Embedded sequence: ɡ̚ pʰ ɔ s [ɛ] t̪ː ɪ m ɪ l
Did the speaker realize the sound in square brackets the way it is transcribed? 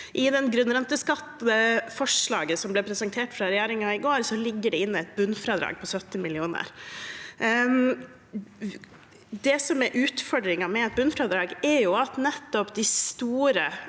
no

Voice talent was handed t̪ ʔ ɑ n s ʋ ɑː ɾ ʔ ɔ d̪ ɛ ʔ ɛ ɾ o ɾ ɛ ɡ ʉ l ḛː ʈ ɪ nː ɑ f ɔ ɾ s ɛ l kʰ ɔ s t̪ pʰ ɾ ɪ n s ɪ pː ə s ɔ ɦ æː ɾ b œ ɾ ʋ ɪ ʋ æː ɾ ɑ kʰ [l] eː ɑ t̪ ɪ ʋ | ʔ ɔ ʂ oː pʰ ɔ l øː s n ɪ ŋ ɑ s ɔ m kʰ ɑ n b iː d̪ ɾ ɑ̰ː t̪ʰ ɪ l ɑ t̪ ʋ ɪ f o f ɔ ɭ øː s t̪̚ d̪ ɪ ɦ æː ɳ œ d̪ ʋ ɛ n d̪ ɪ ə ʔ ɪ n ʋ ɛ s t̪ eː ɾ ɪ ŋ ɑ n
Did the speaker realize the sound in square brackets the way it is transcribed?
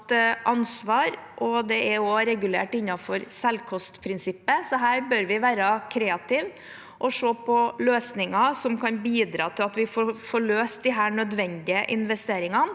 no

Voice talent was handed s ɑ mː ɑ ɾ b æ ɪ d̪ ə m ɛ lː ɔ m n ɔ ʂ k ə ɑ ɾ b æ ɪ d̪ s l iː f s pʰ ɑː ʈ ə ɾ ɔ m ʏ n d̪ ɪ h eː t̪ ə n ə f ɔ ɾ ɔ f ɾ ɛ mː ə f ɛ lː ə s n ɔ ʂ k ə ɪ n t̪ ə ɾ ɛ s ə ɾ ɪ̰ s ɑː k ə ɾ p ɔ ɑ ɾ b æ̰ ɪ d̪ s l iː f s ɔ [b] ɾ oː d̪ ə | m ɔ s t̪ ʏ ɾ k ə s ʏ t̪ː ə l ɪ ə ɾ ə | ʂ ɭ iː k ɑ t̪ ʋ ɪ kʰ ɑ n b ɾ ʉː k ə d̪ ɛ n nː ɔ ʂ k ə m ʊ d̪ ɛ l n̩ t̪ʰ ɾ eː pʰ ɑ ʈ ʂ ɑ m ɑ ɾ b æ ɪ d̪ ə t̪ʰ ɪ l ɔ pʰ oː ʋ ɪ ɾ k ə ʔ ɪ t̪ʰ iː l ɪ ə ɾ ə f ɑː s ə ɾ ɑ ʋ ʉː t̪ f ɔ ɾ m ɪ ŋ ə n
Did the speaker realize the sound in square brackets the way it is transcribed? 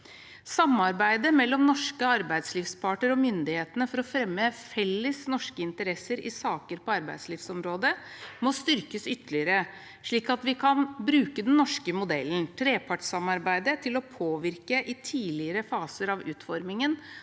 no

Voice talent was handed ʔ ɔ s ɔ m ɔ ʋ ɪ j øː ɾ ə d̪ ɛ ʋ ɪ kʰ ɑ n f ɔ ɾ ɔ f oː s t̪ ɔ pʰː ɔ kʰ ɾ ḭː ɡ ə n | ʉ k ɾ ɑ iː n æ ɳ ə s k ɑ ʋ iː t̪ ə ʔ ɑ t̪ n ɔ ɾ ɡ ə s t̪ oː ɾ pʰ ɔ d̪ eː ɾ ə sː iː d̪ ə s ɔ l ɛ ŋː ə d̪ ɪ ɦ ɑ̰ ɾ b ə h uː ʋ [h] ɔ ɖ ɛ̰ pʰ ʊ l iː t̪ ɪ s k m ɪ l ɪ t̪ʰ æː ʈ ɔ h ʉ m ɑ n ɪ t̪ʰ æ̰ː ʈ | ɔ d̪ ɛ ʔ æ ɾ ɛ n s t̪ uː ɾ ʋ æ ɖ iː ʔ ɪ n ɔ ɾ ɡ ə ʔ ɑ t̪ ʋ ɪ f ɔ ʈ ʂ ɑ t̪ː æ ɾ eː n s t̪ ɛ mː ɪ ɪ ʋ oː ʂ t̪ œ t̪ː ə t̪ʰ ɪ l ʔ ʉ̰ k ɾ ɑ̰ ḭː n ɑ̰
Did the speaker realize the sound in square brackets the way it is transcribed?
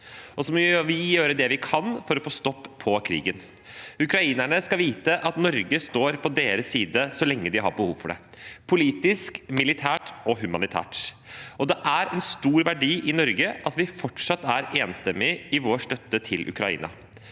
no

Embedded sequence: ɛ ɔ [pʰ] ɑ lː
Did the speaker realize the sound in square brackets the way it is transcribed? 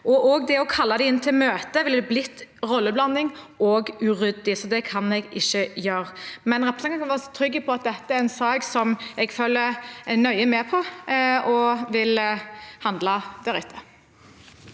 no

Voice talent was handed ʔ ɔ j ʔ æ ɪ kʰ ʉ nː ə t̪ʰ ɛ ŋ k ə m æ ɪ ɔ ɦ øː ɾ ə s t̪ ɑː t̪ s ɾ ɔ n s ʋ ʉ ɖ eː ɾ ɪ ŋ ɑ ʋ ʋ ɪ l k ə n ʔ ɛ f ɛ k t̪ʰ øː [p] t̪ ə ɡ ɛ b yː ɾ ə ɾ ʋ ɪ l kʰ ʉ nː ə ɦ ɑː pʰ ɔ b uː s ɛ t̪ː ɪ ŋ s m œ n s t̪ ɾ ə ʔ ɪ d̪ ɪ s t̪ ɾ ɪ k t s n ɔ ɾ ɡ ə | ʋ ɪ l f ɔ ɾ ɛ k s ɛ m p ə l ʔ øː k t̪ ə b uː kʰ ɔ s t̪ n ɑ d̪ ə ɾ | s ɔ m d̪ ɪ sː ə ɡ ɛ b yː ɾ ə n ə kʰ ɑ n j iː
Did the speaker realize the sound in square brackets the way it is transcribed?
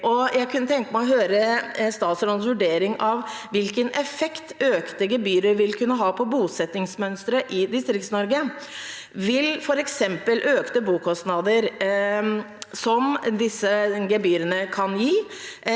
no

